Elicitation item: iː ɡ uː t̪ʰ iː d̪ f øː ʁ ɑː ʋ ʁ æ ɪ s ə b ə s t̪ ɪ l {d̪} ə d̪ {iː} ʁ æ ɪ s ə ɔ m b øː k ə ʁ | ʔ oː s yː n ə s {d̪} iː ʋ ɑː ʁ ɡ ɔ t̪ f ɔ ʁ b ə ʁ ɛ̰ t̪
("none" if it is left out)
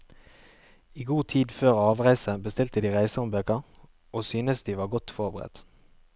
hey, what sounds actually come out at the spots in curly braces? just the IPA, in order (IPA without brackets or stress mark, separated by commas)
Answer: t̪, iː, d̪